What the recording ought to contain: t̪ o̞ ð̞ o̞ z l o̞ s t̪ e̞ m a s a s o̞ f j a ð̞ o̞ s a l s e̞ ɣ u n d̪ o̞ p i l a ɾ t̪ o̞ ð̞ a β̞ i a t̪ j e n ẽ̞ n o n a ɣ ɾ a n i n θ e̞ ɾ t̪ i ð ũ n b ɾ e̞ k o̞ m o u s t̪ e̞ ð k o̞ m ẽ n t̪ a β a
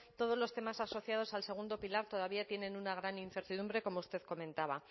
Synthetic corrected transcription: t̪ o̞ ð̞ o̞ z l o̞ s t̪ e̞ m a s a s o̞ θ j a ð̞ o̞ s a l s e̞ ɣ u n d̪ o̞ p i l a ɾ t̪ o̞ ð̞ a β̞ i a t̪ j e n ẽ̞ n u n a ɣ ɾ a n i n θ e̞ ɾ t̪ i ð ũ m b ɾ e̞ k o̞ m o u s t̪ e̞ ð k o̞ m ẽ n t̪ a β a